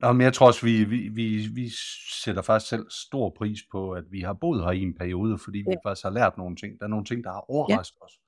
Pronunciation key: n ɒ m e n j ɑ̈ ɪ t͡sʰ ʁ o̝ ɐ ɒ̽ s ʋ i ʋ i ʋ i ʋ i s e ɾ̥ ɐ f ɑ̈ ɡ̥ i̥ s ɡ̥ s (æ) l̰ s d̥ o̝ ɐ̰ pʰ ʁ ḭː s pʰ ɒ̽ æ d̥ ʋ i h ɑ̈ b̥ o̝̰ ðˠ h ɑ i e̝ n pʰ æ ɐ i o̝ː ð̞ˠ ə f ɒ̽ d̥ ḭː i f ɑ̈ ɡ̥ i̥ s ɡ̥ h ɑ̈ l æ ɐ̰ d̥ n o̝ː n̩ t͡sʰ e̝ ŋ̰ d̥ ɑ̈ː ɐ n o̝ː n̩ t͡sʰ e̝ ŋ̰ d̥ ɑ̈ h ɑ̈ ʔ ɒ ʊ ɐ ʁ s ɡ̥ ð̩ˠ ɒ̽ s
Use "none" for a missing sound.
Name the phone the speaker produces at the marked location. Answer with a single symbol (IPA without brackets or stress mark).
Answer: e